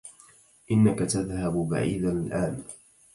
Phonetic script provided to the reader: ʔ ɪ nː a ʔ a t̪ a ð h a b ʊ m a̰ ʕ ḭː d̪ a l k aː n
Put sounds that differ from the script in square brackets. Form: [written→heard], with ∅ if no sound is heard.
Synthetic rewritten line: ʔ ɪ nː a [ʔ→k] a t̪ a ð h a b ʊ [m→b] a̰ ʕ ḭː d̪ a l [k→ʔ] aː n